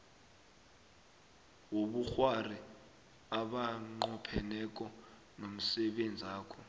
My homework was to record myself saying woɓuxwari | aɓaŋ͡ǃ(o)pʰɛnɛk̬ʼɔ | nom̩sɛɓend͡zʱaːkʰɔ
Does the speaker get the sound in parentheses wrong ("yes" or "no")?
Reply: yes